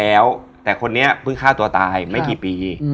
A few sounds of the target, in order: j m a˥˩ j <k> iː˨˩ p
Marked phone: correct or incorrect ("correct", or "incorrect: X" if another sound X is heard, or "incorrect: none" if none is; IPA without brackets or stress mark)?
correct